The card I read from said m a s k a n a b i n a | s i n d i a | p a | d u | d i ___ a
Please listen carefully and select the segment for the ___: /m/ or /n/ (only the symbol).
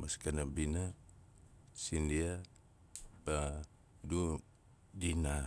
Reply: n